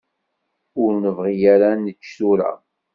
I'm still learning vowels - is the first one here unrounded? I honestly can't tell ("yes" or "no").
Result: no